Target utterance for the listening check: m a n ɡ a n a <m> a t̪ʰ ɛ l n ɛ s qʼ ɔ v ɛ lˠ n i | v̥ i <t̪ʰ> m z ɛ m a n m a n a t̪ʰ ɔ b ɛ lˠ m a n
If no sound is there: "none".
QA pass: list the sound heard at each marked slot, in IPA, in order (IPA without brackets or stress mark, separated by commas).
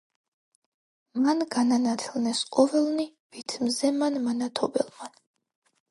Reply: n, t̪ʰ